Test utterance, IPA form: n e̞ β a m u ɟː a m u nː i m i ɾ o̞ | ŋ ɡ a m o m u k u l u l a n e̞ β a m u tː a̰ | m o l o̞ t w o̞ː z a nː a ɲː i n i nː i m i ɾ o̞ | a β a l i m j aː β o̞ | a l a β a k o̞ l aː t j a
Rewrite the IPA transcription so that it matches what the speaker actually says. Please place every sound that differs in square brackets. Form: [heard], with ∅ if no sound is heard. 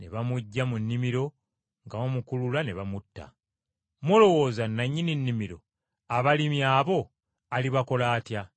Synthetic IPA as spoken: n e̞ β a m u ɟː a m u nː i m i ɾ o̞ | ŋ ɡ a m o m u k u l u l a n e̞ β a m u tː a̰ | m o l o̞ [∅] w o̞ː z a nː a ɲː i n i nː i m i ɾ o̞ | a β a l i m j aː β o̞ | a l [i] β a k o̞ l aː t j a